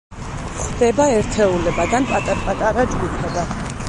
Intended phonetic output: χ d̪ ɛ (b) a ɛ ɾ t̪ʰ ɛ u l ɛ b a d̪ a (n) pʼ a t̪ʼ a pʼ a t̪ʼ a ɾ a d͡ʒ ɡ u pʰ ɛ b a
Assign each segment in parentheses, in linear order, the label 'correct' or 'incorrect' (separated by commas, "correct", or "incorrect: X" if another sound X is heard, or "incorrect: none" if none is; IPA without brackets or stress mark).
correct, correct